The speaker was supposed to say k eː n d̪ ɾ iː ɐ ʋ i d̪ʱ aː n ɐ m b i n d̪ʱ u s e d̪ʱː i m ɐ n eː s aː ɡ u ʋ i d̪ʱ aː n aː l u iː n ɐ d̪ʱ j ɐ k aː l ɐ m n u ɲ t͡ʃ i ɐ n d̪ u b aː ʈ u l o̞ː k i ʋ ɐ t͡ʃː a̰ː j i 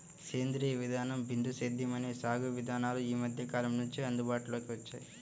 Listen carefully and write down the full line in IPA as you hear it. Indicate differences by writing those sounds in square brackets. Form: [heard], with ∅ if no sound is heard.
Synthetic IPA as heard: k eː n d̪ ɾ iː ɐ ʋ i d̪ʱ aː n ɐ m b i n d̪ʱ u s e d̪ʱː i m ɐ n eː s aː ɡ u ʋ i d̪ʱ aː n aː l u iː [m] ɐ d̪ʱ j ɐ k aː l ɐ m n u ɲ t͡ʃ i ɐ n d̪ u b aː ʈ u l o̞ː k i ʋ ɐ t͡ʃː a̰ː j i